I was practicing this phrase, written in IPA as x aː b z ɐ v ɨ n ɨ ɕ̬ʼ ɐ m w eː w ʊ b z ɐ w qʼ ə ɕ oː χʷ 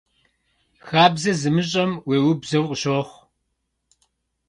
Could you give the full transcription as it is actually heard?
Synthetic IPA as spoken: x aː b z ɐ z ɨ m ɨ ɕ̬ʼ ɐ m w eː w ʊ b z ɐ w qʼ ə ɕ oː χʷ